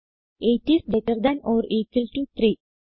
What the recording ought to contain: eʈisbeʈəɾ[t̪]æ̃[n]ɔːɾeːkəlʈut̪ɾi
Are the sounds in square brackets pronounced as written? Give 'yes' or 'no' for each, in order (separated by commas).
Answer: no, yes